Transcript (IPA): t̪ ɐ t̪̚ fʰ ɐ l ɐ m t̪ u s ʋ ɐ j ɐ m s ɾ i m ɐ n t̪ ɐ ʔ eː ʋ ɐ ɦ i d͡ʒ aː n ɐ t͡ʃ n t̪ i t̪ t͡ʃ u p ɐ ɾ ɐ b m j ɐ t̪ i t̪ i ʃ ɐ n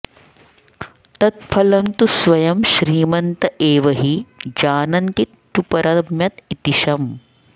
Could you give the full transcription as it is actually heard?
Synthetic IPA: t̪ ɐ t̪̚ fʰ ɐ l ɐ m t̪ u s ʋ ɐ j ɐ m ʃ ɾ iː m ɐ n t̪ ɐ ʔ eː ʋ ɐ ɦ i d͡ʒ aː n ɐ n t̪ i t̪ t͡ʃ u p ɐ ɾ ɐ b m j ɐ t̪ i t̪ i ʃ ɐ m